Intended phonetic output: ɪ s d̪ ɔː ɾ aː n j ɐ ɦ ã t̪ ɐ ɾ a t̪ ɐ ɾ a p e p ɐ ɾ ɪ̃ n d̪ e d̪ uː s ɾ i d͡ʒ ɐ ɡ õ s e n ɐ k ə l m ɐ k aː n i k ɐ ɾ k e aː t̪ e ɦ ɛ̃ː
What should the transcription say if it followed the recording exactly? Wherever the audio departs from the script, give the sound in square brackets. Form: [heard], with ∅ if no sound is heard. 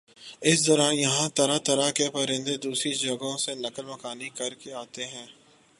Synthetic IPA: ɪ s d̪ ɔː ɾ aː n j ɐ ɦ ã t̪ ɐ ɾ a t̪ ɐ ɾ a [k] e p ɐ ɾ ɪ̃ n d̪ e d̪ uː s ɾ i d͡ʒ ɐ ɡ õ s e n ɐ k ə l m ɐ k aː n i k ɐ ɾ k e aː t̪ e ɦ ɛ̃ː

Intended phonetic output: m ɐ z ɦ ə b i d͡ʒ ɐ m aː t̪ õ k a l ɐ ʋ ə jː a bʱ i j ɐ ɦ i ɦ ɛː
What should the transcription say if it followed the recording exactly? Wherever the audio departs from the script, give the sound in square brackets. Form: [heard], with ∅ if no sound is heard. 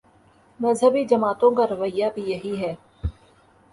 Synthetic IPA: m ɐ z ɦ ə b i d͡ʒ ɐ m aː t̪ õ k a [ɾ] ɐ ʋ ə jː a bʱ i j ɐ ɦ i ɦ ɛː

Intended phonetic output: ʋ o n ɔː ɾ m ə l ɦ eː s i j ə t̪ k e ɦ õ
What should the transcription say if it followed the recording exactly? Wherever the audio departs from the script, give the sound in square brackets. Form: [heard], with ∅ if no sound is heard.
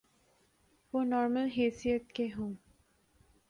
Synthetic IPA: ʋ o n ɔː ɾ m ə l ɦ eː s i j ə t̪ k e ɦ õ

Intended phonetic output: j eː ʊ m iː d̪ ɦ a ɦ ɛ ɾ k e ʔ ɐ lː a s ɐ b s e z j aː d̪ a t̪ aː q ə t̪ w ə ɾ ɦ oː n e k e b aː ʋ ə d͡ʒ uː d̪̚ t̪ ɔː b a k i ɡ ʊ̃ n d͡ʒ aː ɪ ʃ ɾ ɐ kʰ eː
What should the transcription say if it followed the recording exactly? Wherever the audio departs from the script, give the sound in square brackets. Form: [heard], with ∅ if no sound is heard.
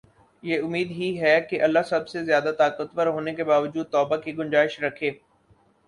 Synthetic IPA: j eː ʊ m iː d̪ ɦ [i] ɦ ɛ [∅] k e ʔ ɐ lː a s ɐ b s e z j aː d̪ a t̪ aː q ə t̪ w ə ɾ ɦ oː n e k e b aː ʋ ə d͡ʒ uː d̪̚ t̪ ɔː b a k i ɡ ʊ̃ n d͡ʒ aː ɪ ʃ ɾ ɐ kʰ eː

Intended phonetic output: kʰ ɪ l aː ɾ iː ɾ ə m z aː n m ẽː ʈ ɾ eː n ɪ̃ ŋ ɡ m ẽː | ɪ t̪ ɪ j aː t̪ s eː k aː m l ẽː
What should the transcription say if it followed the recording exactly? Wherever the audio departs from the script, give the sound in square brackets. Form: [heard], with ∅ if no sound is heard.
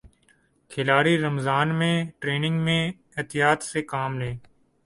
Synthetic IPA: kʰ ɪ l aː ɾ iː ɾ ə m z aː n m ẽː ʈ ɾ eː n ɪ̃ ŋ ɡ m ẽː | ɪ t̪ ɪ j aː t̪ s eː k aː m l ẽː

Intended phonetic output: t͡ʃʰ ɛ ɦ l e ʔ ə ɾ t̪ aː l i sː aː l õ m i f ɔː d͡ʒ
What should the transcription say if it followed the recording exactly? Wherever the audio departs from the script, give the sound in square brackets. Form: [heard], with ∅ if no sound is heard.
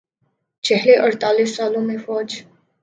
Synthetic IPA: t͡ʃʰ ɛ ɦ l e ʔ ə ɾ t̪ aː l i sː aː l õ m [e] f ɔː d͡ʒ

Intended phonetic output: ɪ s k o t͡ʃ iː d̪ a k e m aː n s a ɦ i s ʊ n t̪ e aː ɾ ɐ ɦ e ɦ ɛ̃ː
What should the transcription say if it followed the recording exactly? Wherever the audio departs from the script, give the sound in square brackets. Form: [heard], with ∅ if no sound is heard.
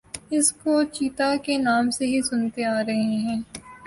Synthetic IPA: ɪ s k o t͡ʃ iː [t̪] a k e [n] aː [m] s [e] ɦ i s ʊ n t̪ e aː ɾ ɐ ɦ e ɦ ɛ̃ː

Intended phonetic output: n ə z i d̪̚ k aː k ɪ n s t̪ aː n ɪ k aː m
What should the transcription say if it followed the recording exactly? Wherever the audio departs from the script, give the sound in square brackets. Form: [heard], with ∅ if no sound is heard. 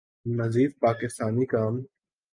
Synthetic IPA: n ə z [iː] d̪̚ [p] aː k ɪ [∅] s t̪ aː n [i] k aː m

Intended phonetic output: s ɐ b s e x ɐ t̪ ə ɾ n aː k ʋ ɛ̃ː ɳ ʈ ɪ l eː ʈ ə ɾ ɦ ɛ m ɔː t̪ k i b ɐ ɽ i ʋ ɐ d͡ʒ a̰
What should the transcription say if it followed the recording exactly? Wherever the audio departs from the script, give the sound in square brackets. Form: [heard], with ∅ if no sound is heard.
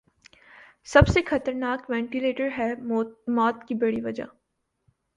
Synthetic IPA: s ɐ b s e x ɐ t̪ ə ɾ n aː k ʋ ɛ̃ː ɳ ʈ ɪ l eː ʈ ə ɾ ɦ ɛ m ɔː t̪ k i b ɐ ɽ i ʋ ɐ d͡ʒ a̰

